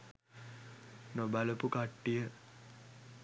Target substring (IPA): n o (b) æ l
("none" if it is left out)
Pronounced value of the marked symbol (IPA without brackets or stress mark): b